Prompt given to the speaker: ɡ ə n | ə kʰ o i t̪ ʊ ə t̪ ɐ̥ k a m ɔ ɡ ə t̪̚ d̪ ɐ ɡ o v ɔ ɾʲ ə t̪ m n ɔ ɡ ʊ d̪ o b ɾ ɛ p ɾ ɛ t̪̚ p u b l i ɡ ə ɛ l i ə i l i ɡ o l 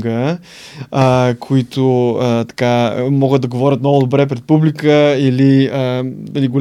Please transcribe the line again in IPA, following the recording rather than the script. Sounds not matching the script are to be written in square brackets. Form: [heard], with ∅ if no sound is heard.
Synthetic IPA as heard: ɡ ə [∅] | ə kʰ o i t̪ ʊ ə t̪ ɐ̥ k a m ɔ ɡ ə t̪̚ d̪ ɐ ɡ o v ɔ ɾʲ ə t̪ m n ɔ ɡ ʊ d̪ o b ɾ ɛ p ɾ ɛ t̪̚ p u b l i [k] ə [i] l i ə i l i ɡ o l